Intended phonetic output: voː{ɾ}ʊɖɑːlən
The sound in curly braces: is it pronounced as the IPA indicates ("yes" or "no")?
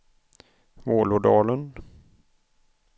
no